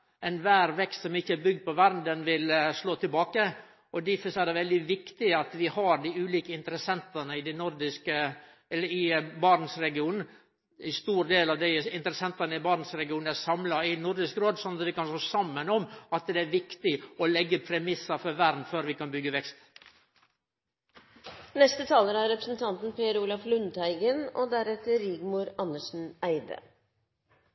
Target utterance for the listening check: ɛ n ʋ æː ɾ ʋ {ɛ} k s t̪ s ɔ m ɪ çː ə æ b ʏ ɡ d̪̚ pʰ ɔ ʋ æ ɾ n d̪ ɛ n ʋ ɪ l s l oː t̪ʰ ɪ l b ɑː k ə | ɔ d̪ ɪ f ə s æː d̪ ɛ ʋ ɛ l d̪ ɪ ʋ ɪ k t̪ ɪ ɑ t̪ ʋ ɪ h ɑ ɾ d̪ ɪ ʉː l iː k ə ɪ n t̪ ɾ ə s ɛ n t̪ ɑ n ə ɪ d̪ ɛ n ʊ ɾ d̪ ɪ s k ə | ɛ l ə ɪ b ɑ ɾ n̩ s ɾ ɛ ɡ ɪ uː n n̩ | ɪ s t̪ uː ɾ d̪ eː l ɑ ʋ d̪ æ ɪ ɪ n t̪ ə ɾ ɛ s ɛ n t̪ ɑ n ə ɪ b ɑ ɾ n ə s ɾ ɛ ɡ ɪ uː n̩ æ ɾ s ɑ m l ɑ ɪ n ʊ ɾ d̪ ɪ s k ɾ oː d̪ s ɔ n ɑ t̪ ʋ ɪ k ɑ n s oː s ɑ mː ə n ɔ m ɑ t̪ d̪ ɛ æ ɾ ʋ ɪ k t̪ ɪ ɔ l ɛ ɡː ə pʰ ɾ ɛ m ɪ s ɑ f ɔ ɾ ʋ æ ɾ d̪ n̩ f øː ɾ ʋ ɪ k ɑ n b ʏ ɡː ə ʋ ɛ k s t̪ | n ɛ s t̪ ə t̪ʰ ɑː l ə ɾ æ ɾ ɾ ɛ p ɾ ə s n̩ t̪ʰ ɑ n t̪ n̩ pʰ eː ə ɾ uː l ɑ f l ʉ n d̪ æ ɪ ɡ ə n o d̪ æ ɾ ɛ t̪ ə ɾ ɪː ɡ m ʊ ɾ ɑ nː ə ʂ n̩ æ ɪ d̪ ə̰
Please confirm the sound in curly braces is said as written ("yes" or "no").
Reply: yes